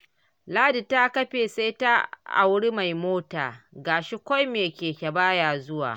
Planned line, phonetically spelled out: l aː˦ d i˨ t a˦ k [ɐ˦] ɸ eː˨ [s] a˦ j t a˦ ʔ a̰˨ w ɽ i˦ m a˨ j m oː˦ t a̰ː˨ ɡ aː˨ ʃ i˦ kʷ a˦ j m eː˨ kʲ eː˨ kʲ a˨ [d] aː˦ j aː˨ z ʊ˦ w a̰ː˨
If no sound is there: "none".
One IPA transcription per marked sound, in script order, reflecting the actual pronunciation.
ɐ˦, s, b

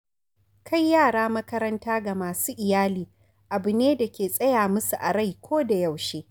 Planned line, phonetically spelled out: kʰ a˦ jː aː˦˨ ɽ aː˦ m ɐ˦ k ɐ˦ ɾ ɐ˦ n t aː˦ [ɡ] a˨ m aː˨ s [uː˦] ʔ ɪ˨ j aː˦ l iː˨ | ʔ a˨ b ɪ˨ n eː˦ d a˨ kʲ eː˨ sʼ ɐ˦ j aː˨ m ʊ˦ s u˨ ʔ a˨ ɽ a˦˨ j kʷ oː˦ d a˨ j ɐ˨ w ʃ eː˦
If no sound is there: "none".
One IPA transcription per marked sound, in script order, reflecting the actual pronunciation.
ɡ, uː˦

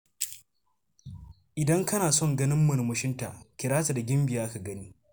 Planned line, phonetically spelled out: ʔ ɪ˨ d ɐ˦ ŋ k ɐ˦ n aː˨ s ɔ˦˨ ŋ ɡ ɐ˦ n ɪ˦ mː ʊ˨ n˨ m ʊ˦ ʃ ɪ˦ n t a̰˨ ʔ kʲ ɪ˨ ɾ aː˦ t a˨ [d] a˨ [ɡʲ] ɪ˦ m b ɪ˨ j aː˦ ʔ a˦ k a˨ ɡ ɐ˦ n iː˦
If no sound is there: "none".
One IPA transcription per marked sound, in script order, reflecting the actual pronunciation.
d, ɡʲ

